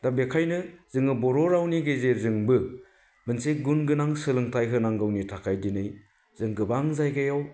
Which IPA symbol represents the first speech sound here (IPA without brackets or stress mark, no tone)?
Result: d